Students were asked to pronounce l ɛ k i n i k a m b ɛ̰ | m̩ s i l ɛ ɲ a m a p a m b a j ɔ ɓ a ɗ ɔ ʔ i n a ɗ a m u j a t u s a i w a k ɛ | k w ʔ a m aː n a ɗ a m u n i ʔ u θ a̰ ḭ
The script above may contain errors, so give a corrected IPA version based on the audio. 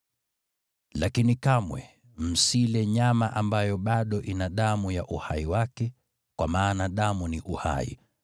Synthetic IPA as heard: l a k i n i k a m w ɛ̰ | m̩ s i l ɛ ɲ a m a ʔ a m b a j ɔ ɓ a ɗ ɔ ʔ i n a ɗ a m u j a ʔ u h a i w a k ɛ | k w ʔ a m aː n a ɗ a m u n i ʔ u h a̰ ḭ